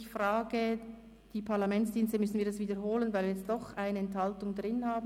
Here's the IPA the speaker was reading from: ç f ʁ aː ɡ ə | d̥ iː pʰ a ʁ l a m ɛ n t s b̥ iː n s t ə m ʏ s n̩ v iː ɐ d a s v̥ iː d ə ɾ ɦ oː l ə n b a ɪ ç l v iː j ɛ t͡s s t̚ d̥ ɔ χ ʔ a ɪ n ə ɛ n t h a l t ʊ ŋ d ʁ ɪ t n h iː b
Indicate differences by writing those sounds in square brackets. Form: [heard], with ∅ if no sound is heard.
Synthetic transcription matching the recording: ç f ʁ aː ɡ ə | d̥ iː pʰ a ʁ l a m ɛ n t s [d̥] iː n s t ə m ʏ s n̩ v iː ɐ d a s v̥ iː d ə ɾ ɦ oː l ə n [v] a ɪ [∅] l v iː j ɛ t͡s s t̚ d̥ ɔ χ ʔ a ɪ n ə ɛ n t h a l t ʊ ŋ d ʁ ɪ [∅] n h [aː] b